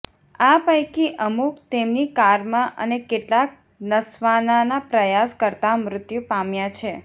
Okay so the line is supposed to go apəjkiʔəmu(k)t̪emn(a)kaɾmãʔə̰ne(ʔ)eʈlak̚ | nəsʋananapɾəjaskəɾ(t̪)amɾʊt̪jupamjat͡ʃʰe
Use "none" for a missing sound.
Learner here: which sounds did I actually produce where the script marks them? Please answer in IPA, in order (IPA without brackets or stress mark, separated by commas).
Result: k, i, k, t̪